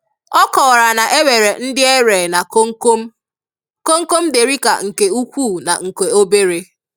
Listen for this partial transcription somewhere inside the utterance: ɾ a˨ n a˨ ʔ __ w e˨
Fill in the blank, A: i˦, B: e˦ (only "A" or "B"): B